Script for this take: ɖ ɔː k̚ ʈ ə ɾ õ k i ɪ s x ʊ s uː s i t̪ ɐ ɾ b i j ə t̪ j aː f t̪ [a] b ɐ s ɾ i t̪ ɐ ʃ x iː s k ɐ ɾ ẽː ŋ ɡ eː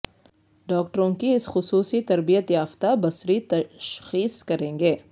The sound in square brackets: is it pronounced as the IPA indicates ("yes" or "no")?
yes